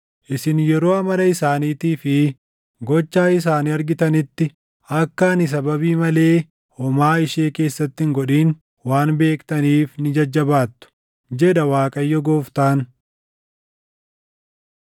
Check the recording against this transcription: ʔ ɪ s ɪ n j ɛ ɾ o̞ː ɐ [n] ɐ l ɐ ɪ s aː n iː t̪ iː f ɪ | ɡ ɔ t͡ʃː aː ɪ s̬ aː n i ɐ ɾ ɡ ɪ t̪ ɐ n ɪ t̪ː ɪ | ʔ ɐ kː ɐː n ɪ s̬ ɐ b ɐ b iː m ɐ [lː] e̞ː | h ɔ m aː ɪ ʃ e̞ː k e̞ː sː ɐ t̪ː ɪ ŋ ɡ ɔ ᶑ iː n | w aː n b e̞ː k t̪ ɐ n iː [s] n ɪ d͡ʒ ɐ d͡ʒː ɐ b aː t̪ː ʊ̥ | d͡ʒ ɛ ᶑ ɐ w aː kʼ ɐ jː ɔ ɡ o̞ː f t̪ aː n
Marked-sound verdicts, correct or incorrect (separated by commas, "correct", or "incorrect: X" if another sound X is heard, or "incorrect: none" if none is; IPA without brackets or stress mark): incorrect: m, incorrect: l, incorrect: f